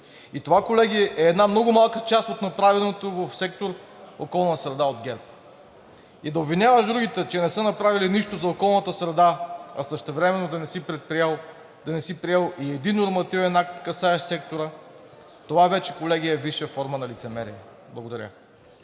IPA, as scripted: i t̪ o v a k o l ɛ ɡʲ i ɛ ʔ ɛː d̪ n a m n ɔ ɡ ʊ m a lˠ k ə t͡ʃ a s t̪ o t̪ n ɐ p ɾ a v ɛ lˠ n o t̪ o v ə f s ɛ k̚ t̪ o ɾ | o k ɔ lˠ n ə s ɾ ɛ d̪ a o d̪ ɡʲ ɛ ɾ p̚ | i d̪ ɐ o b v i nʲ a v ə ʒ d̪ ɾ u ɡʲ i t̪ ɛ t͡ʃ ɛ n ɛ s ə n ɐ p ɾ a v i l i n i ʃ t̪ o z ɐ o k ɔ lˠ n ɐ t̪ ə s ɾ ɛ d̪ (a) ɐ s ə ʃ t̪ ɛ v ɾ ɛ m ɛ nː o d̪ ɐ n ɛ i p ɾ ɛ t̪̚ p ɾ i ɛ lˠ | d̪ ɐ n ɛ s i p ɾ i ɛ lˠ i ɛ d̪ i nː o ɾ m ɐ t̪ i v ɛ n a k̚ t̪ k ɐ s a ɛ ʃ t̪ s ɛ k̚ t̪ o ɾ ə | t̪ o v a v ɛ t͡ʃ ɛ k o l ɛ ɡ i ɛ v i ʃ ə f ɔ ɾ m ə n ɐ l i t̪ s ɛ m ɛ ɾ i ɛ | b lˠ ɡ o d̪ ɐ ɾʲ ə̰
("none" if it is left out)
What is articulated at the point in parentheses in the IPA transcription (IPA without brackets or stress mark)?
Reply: a